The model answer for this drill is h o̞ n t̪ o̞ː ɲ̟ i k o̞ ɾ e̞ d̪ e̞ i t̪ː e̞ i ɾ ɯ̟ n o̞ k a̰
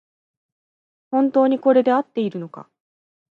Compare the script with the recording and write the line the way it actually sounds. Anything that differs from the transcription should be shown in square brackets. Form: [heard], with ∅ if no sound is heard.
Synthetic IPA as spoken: h [õ̞] n t̪ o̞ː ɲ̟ i k o̞ ɾ e̞ d̪ e̞ [a] t̪ː e̞ i ɾ ɯ̟ n o̞ k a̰